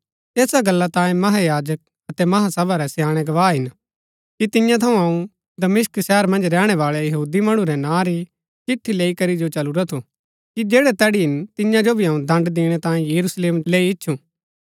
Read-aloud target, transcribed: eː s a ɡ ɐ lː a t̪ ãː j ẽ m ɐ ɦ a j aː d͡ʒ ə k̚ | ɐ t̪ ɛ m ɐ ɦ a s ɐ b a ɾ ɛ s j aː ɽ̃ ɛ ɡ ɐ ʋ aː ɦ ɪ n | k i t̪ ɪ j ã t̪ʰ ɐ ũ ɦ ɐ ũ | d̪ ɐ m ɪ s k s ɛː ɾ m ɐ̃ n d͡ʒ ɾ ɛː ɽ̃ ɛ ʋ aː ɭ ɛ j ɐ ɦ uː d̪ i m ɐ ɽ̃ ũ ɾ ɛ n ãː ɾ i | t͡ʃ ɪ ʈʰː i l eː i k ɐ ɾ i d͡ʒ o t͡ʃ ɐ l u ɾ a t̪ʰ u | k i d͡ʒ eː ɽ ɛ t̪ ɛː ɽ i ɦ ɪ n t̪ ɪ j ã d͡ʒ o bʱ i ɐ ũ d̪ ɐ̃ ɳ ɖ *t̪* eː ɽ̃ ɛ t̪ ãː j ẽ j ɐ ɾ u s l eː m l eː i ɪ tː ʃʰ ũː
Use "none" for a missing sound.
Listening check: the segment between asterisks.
d̪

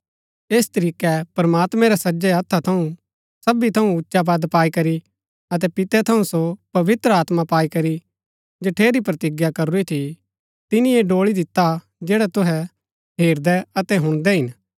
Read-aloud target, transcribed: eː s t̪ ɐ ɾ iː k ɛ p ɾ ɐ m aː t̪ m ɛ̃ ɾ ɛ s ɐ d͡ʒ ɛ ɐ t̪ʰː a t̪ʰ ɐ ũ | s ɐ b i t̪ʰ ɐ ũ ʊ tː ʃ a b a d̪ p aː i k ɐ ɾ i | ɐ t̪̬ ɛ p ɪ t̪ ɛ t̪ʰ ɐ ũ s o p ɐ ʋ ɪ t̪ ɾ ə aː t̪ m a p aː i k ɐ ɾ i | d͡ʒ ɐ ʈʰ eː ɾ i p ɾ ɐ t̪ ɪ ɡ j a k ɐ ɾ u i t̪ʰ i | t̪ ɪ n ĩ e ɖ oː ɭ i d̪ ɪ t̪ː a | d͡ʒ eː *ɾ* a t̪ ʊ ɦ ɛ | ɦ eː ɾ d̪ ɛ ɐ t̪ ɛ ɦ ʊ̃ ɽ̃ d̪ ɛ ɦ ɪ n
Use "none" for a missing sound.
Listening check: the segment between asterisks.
ɽ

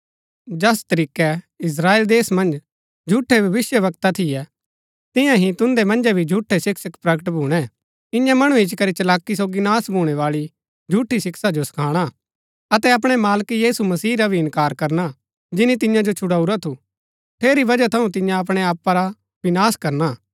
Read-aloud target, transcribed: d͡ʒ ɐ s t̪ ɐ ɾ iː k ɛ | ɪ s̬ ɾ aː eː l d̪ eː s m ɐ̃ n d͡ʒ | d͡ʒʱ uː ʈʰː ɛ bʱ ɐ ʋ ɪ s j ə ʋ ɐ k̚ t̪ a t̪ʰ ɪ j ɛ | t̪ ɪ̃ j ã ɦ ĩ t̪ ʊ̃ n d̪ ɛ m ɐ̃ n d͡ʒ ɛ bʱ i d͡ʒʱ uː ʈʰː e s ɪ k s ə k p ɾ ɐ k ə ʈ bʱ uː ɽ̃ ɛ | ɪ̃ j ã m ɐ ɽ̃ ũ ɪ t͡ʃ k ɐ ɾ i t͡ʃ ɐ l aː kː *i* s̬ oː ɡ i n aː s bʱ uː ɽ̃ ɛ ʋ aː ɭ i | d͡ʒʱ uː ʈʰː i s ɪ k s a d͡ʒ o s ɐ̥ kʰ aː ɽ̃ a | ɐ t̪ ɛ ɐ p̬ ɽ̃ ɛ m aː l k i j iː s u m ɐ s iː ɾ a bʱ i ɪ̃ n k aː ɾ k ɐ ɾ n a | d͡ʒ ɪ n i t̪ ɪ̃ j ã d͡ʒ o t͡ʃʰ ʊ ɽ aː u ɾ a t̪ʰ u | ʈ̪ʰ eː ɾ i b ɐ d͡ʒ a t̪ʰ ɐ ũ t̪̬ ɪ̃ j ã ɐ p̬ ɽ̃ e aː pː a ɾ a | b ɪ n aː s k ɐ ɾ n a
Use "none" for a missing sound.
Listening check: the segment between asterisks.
i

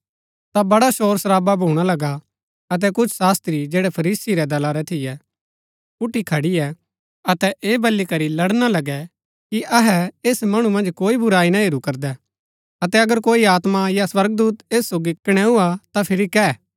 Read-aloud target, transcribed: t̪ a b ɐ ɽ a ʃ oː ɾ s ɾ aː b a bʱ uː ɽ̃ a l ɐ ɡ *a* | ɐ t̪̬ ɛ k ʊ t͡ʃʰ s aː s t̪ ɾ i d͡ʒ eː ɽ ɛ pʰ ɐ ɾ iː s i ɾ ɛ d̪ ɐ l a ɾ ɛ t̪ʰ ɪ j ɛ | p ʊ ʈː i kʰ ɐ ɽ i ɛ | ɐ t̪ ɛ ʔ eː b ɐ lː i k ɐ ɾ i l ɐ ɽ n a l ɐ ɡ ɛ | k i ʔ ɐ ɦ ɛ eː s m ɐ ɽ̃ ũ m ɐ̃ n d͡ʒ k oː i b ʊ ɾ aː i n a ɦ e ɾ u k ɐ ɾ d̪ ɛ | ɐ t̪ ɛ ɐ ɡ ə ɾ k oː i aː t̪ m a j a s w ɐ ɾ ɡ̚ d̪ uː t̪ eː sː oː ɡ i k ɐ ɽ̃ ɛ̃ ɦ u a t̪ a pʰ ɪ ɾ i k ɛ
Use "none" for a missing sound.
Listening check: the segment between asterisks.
a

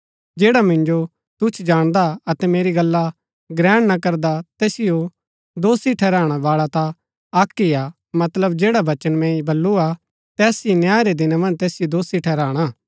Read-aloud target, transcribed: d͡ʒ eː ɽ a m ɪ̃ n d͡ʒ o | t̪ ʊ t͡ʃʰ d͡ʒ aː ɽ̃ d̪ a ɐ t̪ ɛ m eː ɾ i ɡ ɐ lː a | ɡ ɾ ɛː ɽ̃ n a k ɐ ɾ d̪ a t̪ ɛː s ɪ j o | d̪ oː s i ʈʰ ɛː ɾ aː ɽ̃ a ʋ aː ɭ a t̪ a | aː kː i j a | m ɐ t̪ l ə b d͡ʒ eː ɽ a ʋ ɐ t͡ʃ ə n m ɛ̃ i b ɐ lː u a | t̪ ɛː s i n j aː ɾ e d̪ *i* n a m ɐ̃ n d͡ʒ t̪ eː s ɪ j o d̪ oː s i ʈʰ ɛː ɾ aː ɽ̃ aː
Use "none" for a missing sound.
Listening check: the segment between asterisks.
ɪ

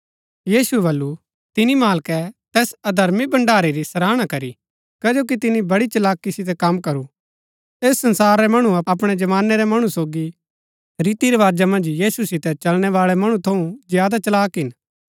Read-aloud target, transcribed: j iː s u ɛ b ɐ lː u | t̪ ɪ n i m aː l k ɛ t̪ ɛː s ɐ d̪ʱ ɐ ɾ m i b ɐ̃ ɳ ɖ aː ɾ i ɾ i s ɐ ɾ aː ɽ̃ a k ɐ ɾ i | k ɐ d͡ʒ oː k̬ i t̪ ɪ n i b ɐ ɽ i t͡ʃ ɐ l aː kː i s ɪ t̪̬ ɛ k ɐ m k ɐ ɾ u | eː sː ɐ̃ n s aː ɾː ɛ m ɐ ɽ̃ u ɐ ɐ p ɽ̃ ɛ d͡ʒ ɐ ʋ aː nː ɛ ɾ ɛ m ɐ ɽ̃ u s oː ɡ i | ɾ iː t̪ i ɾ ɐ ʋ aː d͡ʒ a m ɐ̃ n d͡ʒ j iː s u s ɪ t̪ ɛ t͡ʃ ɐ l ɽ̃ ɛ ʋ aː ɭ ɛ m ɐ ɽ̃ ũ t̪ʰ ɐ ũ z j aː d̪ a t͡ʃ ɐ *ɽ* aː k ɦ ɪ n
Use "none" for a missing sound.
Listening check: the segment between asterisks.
l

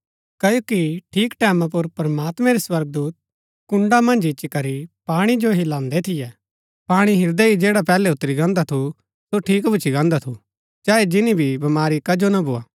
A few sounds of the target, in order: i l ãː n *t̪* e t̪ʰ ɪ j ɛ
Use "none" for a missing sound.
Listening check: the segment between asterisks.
d̪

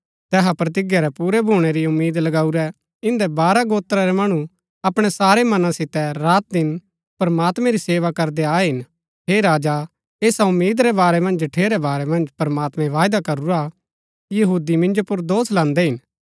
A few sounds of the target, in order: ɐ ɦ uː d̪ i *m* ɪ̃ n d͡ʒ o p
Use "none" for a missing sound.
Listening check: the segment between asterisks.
m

